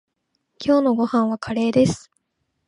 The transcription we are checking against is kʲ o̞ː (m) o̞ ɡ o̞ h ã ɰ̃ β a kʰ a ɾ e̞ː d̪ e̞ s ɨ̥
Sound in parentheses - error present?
yes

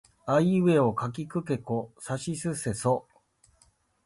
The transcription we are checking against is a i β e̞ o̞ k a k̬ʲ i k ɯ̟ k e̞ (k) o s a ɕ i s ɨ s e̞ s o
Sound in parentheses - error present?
no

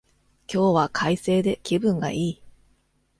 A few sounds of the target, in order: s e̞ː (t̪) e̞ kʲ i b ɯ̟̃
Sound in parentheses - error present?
yes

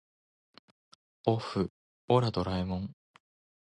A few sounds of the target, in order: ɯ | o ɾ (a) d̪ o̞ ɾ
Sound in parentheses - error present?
no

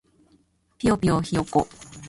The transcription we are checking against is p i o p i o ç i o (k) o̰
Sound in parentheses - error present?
no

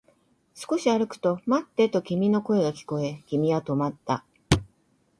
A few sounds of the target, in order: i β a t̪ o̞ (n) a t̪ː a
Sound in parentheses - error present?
yes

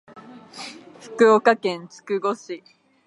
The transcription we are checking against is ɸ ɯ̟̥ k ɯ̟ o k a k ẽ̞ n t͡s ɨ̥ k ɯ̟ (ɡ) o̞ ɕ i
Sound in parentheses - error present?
no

